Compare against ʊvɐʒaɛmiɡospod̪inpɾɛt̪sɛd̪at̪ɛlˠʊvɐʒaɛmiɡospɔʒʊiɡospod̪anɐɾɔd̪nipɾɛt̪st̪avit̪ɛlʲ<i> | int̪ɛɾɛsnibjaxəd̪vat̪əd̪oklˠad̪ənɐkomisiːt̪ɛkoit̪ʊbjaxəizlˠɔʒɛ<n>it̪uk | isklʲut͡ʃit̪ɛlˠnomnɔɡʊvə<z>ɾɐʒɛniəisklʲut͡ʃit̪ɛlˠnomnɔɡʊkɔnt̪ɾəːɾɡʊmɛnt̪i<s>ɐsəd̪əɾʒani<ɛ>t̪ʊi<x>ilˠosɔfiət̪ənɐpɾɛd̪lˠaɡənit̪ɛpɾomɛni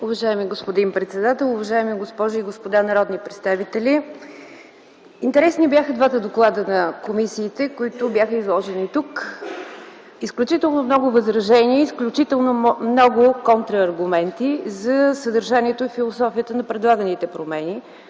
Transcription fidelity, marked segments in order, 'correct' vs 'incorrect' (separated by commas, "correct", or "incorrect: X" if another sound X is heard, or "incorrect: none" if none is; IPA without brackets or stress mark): correct, correct, correct, incorrect: z, correct, incorrect: f